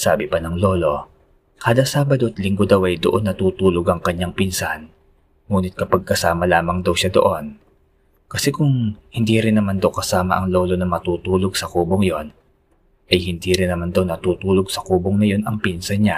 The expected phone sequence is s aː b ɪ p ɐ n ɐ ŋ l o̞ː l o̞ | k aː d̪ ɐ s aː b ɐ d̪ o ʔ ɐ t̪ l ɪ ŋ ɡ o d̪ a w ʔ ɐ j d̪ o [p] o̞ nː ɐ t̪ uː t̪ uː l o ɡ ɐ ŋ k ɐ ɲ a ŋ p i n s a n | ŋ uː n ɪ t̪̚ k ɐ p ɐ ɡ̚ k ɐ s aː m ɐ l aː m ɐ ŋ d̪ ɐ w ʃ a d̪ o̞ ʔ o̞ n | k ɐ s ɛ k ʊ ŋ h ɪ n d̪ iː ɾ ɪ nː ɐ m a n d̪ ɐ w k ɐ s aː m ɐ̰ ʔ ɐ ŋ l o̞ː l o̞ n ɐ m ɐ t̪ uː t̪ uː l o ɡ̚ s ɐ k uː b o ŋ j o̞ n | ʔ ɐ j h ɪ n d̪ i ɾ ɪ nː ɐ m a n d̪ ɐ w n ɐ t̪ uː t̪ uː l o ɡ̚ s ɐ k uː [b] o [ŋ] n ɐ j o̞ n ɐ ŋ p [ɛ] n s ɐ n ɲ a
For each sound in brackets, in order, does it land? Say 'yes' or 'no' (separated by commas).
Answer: no, yes, yes, no